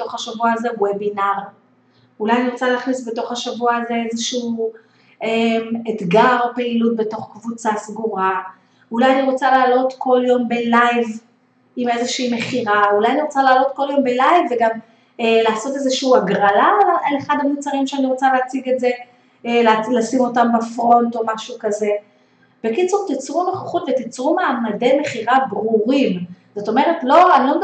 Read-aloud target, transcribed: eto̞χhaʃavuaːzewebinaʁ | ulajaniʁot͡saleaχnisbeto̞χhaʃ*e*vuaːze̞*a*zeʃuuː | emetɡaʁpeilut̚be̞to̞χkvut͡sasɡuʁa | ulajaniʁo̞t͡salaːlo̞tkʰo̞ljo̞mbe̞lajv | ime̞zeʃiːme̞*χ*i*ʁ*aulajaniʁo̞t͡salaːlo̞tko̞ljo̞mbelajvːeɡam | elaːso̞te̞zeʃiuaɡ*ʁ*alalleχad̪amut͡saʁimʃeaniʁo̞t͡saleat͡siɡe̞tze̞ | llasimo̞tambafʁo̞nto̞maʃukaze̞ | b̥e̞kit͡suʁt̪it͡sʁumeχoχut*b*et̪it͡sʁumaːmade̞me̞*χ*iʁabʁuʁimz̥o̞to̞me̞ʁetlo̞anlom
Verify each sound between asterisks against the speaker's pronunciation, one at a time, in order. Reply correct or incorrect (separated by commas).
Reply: incorrect, incorrect, correct, correct, correct, incorrect, correct